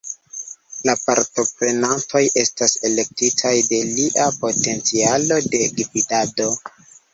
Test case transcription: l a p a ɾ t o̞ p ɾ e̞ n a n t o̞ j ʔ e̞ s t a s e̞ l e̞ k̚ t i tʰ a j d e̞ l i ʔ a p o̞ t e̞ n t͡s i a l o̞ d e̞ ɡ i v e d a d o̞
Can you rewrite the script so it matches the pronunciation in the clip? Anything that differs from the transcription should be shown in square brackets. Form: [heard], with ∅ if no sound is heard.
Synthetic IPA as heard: l a p a ɾ t o̞ p ɾ e̞ n a n t o̞ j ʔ e̞ s t a s e̞ l e̞ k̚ t i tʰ a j d e̞ l i ʔ a p o̞ t e̞ n t͡s i a l o̞ d e̞ ɡ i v [i] d a d o̞